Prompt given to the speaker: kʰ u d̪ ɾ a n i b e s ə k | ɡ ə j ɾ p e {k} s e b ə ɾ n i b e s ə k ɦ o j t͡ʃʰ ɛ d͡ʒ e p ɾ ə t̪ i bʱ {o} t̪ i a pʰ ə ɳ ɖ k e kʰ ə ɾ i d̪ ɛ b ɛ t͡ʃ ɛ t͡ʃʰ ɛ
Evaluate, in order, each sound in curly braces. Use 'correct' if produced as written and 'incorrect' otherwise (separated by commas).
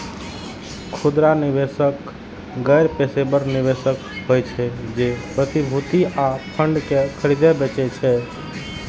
incorrect, incorrect